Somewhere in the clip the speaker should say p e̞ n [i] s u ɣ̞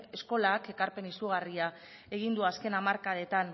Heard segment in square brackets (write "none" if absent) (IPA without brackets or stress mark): i